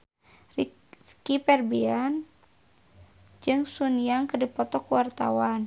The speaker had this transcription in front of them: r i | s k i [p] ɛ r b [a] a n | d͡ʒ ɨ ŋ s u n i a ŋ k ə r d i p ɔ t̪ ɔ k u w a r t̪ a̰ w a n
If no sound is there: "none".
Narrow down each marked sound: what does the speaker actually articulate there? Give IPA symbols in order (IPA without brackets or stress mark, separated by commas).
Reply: p, i